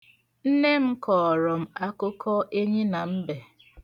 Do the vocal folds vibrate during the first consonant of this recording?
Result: yes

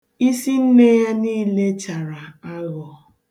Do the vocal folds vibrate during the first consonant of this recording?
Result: no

